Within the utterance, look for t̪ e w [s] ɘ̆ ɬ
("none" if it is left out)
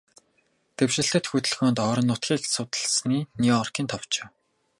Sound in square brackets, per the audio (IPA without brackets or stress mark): ʃ